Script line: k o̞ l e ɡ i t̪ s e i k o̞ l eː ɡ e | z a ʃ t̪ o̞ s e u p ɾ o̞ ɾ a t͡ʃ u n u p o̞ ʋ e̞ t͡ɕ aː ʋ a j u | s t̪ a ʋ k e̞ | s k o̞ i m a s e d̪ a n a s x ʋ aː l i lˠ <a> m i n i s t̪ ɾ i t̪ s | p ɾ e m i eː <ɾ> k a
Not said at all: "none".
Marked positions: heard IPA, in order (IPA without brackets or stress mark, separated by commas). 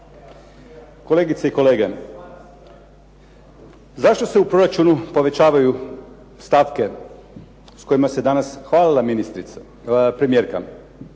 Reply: a, ɾ